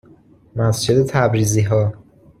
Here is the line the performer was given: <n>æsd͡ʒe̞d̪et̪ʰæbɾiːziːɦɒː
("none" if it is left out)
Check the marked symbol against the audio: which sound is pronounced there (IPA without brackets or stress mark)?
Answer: m